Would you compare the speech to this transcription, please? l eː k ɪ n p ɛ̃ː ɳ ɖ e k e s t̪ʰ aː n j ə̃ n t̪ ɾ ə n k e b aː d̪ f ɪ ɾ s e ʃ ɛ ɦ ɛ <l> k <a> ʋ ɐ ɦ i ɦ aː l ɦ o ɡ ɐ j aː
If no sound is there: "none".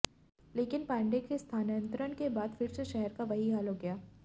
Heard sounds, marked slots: ɾ, a

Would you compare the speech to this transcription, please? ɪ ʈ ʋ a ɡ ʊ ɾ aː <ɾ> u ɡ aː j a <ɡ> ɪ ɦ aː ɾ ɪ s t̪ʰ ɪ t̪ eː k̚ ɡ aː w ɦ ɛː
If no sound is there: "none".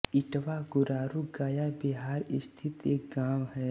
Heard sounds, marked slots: ɾ, b

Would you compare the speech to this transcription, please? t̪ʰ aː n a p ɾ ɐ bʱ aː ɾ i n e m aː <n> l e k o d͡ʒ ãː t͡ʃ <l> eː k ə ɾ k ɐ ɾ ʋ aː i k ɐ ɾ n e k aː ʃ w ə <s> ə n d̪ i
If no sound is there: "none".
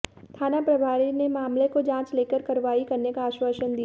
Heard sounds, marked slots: m, l, ʃ

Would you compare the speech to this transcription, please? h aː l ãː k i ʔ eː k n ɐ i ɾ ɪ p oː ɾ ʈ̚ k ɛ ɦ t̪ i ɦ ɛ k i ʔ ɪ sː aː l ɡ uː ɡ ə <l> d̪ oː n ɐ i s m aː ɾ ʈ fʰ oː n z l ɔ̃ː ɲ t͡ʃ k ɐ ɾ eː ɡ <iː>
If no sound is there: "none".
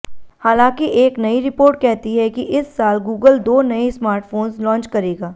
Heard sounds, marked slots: l, aː

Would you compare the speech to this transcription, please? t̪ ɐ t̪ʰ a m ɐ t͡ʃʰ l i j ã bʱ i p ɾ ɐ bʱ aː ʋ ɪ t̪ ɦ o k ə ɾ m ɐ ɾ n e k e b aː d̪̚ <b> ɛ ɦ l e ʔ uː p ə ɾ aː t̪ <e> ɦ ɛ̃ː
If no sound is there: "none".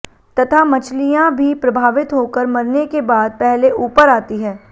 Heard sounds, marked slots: p, i

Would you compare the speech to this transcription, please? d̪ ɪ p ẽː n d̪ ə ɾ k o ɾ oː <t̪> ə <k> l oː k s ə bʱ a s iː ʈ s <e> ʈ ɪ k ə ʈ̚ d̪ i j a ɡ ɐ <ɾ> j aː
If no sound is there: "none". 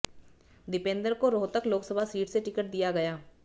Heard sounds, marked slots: t̪, k, e, none

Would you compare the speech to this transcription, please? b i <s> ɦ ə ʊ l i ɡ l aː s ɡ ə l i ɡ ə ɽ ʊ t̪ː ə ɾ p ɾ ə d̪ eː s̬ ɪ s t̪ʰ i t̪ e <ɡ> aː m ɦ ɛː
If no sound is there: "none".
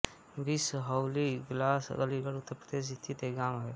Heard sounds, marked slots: s, ɡ

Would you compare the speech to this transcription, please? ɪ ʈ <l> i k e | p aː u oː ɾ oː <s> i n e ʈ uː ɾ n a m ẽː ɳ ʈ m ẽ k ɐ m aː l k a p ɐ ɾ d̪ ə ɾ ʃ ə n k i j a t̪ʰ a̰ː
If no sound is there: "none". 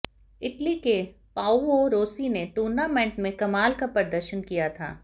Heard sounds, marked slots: l, s

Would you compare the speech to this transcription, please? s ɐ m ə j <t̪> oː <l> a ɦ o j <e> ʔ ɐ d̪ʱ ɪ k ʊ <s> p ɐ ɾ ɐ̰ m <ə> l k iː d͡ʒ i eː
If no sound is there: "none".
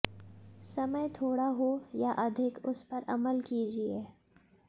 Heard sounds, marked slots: t̪ʰ, ɽ, a, s, ə

